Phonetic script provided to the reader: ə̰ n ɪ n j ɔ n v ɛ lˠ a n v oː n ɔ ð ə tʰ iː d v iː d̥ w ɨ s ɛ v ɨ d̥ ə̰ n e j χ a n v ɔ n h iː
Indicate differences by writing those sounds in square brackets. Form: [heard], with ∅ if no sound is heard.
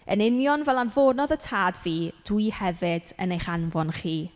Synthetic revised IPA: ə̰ n ɪ n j ɔ n v ɛ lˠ a n v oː n ɔ ð ə tʰ [aː] d v iː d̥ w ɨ [h] ɛ v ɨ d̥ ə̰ n e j χ a n v ɔ n [χ] iː